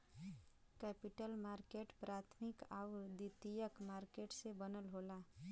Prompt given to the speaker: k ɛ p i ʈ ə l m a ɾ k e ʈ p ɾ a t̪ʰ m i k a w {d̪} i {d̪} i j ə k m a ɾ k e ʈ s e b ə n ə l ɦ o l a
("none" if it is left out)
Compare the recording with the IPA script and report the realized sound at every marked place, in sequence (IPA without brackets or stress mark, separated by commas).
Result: d̪, t̪